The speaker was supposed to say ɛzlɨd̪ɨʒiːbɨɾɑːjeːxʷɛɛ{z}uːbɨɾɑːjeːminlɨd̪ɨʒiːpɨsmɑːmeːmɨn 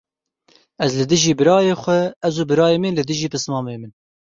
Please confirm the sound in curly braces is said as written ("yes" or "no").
yes